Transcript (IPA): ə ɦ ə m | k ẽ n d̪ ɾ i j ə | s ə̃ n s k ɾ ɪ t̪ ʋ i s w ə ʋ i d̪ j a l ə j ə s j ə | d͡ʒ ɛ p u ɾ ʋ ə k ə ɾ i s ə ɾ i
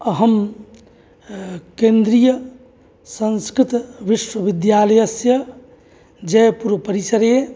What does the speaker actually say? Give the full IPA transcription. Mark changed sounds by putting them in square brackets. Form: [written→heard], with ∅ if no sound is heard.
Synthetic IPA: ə ɦ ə m | k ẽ n d̪ ɾ i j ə | s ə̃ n s k ɾ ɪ t̪ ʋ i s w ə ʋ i d̪ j a l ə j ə s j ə | d͡ʒ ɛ p u ɾ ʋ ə [k→p] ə ɾ i s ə ɾ [i→e]